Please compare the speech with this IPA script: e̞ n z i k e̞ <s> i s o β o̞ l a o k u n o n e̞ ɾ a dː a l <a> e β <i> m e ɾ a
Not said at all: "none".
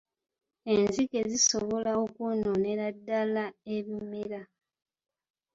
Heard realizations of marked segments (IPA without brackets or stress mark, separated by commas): z, a, i